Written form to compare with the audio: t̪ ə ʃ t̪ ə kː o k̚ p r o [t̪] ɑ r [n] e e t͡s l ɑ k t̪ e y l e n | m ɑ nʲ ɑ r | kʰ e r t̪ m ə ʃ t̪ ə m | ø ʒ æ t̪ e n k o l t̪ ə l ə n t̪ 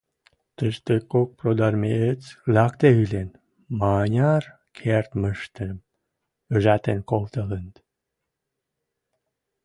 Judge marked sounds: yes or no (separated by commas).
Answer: no, no